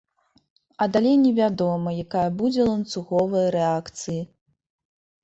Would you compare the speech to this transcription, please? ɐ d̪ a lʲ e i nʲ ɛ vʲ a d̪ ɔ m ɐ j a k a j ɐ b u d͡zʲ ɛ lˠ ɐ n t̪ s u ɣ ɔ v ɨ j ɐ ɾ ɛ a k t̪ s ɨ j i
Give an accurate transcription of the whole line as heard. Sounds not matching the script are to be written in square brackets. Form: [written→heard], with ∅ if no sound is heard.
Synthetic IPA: ɐ d̪ a lʲ e [i→j] nʲ ɛ vʲ a d̪ ɔ m ɐ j a k a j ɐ b u d͡zʲ ɛ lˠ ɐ n t̪ s u ɣ ɔ v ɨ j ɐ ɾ ɛ a k t̪ s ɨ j i